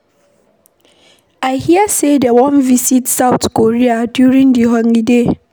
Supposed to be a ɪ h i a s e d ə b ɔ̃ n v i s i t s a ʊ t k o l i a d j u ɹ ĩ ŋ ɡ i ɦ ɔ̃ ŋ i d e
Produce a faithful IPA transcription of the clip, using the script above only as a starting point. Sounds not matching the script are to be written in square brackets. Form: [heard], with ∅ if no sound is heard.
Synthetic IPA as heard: a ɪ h i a s e d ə [w] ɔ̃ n v i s i t s a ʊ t k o [ɹ] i a d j u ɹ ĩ ŋ [d] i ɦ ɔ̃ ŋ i d e